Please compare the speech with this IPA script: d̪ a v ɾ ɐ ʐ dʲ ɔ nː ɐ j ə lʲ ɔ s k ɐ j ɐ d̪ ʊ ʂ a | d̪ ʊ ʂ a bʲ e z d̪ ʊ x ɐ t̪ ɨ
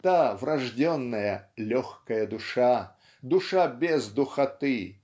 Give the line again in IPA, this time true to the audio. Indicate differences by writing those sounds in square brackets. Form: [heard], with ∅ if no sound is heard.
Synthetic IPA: [t̪] a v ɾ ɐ ʐ dʲ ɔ nː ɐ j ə lʲ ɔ [x] k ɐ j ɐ d̪ ʊ ʂ a | d̪ ʊ ʂ a bʲ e z d̪ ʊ x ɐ t̪ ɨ

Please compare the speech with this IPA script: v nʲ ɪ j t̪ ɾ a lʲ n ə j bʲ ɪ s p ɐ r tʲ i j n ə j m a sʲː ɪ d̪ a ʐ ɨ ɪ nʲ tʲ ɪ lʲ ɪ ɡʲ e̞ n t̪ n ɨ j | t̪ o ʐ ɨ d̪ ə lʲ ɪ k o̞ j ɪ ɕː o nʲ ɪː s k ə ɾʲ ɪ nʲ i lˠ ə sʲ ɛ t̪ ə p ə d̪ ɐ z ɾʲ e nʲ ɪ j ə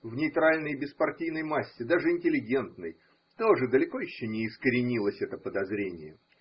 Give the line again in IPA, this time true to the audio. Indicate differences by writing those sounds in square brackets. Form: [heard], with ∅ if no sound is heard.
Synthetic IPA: v nʲ ɪ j t̪ ɾ a lʲ n ə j bʲ ɪ s p ɐ r tʲ i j n ə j m a sʲː ɪ d̪ a ʐ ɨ ɪ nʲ tʲ ɪ lʲ ɪ ɡʲ e̞ n t̪ n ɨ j | t̪ o ʐ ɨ d̪ ə lʲ ɪ k o̞ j ɪ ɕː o nʲ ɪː s k ə ɾʲ ɪ nʲ i lˠ ə sʲ ɛ t̪ ə p ə d̪ ɐ z ɾʲ e nʲ ɪ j ə

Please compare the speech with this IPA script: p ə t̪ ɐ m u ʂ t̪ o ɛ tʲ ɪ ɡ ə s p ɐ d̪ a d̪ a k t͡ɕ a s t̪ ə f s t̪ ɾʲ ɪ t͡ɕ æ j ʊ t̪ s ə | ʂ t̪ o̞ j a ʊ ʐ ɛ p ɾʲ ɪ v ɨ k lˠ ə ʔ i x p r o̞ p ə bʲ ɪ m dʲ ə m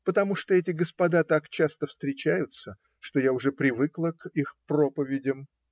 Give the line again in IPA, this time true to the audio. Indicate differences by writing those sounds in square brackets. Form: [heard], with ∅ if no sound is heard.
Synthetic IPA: p ə t̪ ɐ m u ʂ t̪ o ɛ tʲ ɪ ɡ ə s p ɐ d̪ a [t̪] a k t͡ɕ a s t̪ ə f s t̪ ɾʲ ɪ t͡ɕ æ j ʊ t̪ s ə | ʂ t̪ o̞ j a ʊ ʐ ɛ p ɾʲ ɪ v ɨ k lˠ ə [k] i x p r o̞ p ə [vʲ] ɪ [∅] dʲ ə m

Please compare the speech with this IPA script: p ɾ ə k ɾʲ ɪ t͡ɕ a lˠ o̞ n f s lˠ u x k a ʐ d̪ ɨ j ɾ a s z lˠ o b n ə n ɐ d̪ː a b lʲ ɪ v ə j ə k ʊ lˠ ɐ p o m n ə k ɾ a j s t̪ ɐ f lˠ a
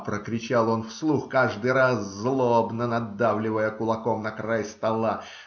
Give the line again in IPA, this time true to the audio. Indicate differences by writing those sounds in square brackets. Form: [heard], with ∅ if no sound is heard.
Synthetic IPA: p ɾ ə k ɾʲ ɪ t͡ɕ a lˠ o̞ n f s lˠ u x k a ʐ d̪ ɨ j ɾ a s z lˠ o b n ə n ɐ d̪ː a [v] lʲ ɪ v ə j ə k ʊ lˠ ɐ [k] o m n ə k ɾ a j s t̪ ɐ [∅] lˠ a

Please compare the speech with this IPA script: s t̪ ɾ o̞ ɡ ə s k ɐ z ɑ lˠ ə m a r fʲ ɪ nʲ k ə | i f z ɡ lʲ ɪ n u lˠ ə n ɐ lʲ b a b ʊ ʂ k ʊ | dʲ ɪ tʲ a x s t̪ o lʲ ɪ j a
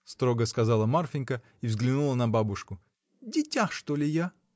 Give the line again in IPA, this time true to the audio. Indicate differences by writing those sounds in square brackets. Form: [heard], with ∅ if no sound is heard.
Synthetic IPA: s t̪ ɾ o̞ ɡ ə s k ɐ z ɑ lˠ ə m a r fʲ ɪ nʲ k ə | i [v] z ɡ lʲ ɪ n u lˠ ə n ɐ [∅] b a b ʊ ʂ k ʊ | dʲ ɪ tʲ a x [ʂ] t̪ o lʲ ɪ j a

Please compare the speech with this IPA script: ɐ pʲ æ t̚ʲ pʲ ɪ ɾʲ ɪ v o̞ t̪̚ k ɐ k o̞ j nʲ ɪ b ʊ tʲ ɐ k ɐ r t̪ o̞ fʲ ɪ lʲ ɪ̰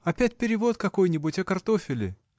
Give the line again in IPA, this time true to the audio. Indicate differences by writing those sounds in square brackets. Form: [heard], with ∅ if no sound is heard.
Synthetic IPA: ɐ pʲ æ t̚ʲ pʲ ɪ ɾʲ ɪ v o̞ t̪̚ k ɐ k o̞ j nʲ ɪ b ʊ tʲ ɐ k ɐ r t̪ o̞ fʲ ɪ lʲ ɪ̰

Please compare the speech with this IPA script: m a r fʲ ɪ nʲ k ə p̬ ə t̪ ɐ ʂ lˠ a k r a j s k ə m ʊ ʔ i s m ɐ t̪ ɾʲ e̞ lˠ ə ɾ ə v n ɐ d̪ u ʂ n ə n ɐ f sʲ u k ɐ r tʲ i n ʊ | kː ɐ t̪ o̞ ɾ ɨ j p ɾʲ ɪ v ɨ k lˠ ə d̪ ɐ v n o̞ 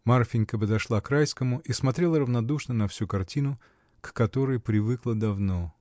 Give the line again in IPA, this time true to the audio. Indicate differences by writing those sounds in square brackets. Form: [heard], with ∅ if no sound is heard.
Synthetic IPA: m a r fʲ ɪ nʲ k ə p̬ ə [d̪] ɐ ʂ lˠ a k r a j s k ə m ʊ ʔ i s m ɐ t̪ ɾʲ e̞ lˠ ə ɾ ə v n ɐ d̪ u ʂ n ə n ɐ f sʲ u k ɐ r tʲ i n ʊ | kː ɐ t̪ o̞ ɾ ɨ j p ɾʲ ɪ v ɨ k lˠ ə d̪ ɐ v n o̞

